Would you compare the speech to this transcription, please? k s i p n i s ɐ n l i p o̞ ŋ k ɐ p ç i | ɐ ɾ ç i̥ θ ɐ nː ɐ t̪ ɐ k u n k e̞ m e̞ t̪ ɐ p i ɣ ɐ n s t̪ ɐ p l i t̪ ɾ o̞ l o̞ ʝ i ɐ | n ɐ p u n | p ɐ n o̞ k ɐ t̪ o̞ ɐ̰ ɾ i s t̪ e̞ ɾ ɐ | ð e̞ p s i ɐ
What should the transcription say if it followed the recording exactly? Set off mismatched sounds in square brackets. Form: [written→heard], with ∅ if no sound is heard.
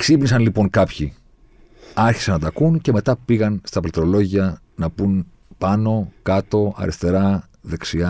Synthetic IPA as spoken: k s i p n i s ɐ n l i p o̞ ŋ k ɐ p ç i | ɐ ɾ ç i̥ [θ→s] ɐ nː ɐ t̪ ɐ k u n [k→c] e̞ m e̞ t̪ ɐ p i ɣ ɐ n s t̪ ɐ p l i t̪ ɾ o̞ l o̞ ʝ i ɐ | n ɐ p u n | p ɐ n o̞ k ɐ t̪ o̞ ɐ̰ ɾ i s t̪ e̞ ɾ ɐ | ð e̞ [p→k] s i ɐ